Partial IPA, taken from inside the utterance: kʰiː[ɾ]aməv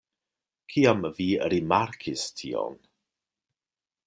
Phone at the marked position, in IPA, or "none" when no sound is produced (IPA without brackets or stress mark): none